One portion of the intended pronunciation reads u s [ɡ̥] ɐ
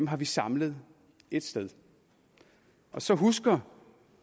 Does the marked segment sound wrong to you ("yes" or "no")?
no